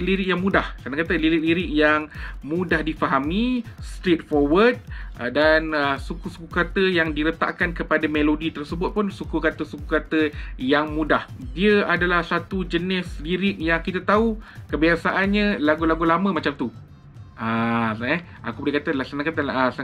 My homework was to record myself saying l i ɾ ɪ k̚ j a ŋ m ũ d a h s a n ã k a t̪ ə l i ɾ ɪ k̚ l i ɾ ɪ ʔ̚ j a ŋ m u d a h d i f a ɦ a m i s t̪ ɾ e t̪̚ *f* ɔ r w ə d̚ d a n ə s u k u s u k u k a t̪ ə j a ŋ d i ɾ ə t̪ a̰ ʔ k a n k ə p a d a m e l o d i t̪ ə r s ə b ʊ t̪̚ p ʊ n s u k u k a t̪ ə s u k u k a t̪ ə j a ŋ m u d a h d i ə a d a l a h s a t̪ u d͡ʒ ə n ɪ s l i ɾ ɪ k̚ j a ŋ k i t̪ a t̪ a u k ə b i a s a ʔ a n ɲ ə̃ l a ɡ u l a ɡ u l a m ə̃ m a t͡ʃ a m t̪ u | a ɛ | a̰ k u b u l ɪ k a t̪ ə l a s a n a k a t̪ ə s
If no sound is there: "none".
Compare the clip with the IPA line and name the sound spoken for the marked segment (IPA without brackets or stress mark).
f